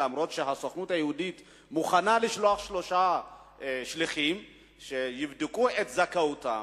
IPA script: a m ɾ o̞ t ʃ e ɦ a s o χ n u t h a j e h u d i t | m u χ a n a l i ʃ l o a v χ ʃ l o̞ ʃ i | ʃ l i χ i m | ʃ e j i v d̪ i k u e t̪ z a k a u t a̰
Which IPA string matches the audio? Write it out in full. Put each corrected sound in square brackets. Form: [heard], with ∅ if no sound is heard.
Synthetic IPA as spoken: a m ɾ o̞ t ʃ e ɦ a s o χ n u t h a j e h u d i t | m u χ a n a l i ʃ l o a [∅] χ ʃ l o̞ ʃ [a] | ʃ l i χ i m | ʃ e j i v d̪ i k u e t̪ z a k a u t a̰